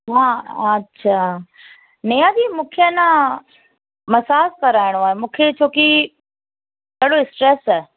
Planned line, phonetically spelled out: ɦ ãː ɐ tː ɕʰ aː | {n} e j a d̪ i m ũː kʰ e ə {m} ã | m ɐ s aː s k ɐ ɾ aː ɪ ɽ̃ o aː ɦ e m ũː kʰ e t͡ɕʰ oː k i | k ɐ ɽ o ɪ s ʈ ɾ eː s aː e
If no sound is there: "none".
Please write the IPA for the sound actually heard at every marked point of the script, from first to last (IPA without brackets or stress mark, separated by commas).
n, n